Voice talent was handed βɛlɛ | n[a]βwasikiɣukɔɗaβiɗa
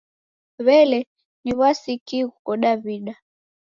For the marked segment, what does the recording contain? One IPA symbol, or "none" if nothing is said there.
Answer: i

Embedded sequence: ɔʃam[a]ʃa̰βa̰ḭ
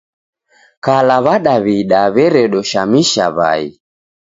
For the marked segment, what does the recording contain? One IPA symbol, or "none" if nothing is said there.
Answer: i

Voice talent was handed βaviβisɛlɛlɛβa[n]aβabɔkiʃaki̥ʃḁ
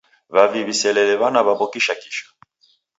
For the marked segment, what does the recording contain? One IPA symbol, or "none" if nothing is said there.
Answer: n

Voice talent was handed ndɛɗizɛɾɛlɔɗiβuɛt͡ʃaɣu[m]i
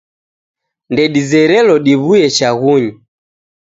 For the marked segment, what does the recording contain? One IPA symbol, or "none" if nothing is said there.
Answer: ɲ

